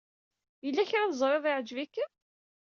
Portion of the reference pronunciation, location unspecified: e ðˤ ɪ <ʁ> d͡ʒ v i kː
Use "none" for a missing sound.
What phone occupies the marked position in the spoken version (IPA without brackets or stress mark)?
ʕ